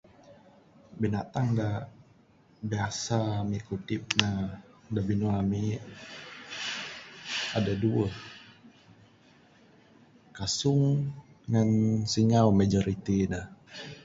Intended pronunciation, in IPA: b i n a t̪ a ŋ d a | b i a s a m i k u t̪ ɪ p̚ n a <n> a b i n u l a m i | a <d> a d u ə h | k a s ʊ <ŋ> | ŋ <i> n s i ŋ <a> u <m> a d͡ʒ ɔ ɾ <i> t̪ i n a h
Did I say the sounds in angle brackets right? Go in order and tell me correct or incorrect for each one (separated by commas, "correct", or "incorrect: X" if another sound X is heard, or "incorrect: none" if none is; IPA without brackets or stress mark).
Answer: incorrect: d, correct, correct, incorrect: a, correct, correct, correct